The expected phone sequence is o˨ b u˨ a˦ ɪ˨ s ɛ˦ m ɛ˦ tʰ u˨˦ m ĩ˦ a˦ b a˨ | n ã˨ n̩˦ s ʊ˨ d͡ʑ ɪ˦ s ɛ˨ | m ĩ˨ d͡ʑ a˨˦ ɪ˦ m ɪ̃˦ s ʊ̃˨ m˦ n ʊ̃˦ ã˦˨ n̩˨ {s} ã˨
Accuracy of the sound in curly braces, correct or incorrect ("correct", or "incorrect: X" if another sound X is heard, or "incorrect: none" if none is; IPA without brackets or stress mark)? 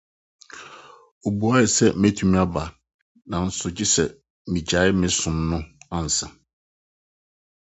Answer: correct